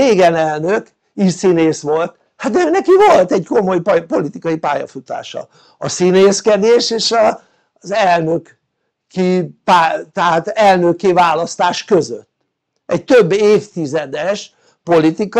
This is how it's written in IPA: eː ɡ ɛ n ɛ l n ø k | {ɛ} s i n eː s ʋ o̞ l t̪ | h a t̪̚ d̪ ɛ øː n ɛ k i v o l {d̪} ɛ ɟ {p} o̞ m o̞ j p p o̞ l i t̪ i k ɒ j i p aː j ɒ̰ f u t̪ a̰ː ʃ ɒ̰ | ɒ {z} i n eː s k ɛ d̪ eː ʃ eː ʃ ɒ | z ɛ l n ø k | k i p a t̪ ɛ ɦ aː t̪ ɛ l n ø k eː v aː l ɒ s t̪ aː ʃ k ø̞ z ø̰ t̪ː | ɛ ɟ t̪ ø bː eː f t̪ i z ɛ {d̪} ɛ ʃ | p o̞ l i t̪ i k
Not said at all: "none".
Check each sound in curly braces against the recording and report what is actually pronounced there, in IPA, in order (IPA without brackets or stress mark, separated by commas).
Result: i, t̪, k, s, d̪